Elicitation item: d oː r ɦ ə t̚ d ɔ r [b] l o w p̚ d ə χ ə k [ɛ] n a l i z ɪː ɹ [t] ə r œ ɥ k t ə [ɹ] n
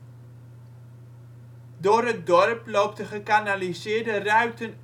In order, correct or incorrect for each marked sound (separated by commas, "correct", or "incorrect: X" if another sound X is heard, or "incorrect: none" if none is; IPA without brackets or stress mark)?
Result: incorrect: p, incorrect: a, incorrect: d, incorrect: none